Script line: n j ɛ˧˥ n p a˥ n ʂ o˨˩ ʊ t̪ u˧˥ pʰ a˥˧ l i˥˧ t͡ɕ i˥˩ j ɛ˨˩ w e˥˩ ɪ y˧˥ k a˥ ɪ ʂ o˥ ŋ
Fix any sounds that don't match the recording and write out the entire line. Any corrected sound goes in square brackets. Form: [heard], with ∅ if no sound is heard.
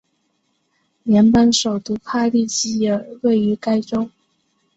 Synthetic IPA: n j ɛ˧˥ n p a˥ n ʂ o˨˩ ʊ t̪ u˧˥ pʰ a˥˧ l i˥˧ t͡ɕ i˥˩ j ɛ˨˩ w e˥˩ ɪ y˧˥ k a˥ ɪ [ʈ͡ʂ] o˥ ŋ